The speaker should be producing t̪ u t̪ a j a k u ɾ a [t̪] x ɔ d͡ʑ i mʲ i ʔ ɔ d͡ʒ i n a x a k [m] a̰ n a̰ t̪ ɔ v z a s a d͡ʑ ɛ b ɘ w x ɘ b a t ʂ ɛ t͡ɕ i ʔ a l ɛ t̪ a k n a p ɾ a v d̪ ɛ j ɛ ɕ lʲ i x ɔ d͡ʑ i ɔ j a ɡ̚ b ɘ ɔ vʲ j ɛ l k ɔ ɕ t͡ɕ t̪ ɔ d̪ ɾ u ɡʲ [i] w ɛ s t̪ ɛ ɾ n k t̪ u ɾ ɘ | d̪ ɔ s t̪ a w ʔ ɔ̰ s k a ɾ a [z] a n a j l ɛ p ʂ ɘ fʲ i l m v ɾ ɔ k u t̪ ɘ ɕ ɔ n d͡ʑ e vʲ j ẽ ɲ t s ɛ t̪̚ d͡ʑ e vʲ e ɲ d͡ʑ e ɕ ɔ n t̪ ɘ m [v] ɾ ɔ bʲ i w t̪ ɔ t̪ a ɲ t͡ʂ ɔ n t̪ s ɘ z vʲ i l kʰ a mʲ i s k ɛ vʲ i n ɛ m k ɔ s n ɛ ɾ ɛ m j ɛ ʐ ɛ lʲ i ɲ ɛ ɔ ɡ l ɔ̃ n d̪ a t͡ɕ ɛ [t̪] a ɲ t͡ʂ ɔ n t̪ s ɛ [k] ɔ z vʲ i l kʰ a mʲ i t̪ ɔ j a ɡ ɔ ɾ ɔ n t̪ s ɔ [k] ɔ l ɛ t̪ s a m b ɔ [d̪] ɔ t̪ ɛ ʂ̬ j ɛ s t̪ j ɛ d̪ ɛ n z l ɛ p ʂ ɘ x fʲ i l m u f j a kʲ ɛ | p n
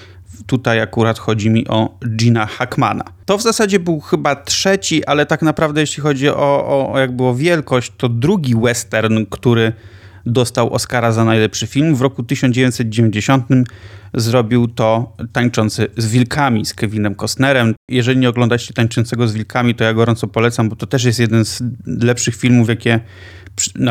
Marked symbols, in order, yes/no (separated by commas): yes, yes, yes, yes, no, yes, no, no, no